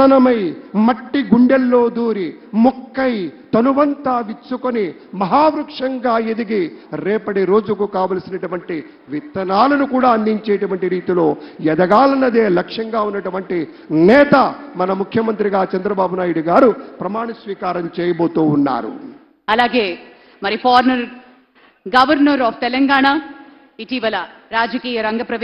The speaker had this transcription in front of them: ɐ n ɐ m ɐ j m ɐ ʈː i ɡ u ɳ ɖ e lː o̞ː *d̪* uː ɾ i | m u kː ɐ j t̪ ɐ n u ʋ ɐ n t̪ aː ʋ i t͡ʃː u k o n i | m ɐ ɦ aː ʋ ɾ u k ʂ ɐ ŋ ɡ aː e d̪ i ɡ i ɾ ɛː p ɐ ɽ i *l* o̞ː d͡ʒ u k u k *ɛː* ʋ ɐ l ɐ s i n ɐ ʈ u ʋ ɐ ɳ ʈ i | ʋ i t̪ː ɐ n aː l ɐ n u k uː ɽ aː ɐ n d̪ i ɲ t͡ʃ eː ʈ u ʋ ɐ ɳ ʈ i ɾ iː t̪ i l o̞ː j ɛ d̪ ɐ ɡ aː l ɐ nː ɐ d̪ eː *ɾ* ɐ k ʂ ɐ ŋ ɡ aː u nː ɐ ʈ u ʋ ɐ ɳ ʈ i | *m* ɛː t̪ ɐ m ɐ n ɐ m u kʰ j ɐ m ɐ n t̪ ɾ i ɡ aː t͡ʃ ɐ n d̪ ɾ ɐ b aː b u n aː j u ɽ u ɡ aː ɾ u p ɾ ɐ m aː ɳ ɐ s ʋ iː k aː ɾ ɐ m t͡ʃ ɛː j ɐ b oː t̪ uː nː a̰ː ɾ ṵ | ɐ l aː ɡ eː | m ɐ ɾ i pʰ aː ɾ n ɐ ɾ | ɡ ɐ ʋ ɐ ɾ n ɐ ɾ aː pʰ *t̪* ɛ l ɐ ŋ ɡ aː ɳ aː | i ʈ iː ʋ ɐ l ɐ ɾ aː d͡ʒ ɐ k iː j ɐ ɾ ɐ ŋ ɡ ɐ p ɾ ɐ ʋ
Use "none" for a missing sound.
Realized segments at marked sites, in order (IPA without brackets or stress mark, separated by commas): d̪, ɾ, aː, l, n, t̪